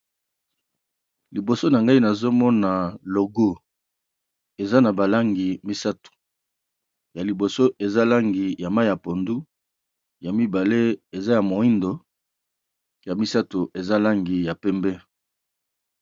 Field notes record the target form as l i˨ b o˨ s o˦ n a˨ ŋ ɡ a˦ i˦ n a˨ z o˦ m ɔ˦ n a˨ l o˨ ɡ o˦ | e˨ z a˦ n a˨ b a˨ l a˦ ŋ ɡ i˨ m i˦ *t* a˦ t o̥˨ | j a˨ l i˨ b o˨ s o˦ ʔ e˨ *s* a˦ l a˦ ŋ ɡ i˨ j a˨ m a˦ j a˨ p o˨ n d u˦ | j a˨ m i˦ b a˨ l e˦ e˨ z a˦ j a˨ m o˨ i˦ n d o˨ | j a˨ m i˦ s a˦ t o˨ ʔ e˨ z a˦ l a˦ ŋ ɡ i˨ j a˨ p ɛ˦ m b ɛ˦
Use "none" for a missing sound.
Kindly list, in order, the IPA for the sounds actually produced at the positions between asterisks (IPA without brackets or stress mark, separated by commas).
s, z